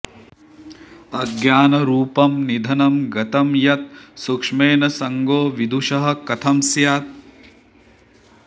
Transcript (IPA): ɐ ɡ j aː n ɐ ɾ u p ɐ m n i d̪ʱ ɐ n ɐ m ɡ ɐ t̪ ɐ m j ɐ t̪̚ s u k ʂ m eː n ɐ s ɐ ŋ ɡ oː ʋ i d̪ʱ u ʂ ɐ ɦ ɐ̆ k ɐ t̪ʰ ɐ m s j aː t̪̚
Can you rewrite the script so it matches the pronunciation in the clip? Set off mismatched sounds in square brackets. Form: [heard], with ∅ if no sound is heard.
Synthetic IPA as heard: ɐ ɡ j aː n ɐ ɾ [uː] p ɐ m n i d̪ʱ ɐ n ɐ m ɡ ɐ t̪ ɐ m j ɐ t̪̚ s u k ʂ m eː n ɐ s ɐ ŋ ɡ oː ʋ i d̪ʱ u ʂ ɐ ɦ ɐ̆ k ɐ t̪ʰ ɐ m s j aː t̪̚